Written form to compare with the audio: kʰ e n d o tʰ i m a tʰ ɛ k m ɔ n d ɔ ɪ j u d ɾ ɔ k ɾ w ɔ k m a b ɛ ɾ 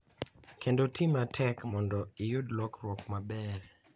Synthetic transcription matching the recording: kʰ e n d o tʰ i m a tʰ ɛ k m ɔ n d ɔ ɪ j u d l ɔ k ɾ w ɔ k m a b ɛ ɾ